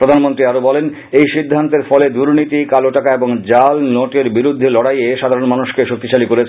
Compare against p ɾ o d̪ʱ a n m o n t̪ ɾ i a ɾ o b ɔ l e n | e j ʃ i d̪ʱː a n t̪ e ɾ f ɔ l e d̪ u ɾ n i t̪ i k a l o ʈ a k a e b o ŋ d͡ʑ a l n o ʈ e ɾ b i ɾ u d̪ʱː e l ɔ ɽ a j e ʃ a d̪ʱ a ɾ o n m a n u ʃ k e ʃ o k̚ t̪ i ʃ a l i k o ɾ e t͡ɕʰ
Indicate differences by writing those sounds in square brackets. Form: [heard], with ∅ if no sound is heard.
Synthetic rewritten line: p ɾ o d̪ʱ a n m o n t̪ ɾ i a ɾ o b ɔ l e n | e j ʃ i d̪ʱː a n t̪ e ɾ f ɔ l e d̪ u ɾ n i t̪ i k a l o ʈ a k a e b o ŋ d͡ʑ a l n o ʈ e ɾ b i ɾ u d̪ʱː e l ɔ ɽ a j e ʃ a d̪ʱ a ɾ o n m a n u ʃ k e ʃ o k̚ t̪ i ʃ a l i k o ɾ e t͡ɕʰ